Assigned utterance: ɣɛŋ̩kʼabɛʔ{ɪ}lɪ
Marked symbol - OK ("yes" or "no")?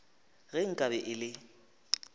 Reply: yes